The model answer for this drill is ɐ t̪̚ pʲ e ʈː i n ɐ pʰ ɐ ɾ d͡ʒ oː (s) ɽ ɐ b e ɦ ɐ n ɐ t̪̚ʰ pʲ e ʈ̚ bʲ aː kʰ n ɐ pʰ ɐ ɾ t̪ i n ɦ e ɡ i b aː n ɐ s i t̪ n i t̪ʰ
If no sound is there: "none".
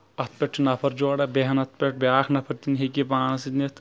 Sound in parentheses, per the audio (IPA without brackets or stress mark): none